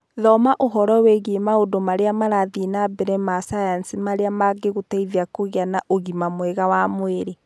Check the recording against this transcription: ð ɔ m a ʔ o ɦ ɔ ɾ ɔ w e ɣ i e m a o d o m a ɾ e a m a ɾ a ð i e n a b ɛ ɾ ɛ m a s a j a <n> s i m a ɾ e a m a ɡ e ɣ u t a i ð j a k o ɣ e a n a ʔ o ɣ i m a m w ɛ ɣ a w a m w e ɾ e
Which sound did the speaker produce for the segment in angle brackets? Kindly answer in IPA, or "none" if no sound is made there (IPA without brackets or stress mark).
n